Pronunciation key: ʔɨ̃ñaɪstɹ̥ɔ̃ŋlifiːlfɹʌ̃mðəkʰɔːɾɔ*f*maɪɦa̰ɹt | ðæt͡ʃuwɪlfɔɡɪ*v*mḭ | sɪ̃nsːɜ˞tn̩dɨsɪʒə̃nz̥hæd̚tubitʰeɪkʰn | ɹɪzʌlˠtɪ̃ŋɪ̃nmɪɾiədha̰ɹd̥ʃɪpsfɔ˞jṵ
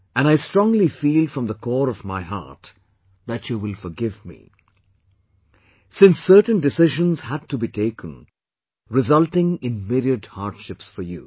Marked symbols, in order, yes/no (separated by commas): no, yes